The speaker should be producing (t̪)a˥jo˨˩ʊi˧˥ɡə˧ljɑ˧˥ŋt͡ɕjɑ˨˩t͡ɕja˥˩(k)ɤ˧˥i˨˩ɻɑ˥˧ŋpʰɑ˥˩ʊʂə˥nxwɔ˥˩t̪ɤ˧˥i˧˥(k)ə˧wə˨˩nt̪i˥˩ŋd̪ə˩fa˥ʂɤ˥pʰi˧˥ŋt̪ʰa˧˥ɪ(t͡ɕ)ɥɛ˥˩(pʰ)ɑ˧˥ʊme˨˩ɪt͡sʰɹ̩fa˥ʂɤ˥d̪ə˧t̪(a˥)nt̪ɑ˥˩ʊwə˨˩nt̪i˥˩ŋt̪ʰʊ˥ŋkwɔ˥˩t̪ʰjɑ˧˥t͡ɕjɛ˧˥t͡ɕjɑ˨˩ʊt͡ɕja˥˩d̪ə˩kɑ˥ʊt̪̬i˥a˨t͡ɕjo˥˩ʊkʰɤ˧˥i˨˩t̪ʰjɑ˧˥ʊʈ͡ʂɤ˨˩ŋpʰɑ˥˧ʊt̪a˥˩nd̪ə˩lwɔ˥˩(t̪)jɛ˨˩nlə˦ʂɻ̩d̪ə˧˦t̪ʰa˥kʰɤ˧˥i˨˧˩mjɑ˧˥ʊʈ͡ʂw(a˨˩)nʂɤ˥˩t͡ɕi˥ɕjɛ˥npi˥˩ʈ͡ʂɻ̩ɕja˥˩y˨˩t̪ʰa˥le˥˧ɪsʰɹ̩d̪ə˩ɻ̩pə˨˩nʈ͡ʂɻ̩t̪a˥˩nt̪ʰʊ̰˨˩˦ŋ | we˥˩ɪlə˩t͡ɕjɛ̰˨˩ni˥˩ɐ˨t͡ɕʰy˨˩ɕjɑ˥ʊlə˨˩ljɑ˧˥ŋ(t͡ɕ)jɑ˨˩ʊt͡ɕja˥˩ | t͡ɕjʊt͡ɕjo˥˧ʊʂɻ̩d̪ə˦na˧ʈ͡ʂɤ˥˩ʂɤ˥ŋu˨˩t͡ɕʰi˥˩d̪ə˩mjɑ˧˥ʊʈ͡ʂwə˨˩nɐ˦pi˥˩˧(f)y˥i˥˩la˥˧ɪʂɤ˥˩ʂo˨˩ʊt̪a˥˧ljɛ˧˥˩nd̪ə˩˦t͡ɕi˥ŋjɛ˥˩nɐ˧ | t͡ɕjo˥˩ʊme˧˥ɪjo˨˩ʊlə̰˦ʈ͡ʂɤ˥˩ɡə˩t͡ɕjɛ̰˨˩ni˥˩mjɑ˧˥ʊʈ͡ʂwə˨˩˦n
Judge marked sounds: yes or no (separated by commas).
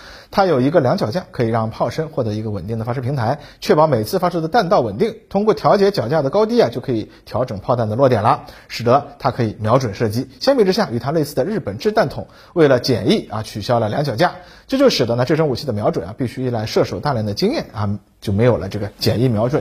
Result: no, no, no, no, no, no, yes, no, yes, no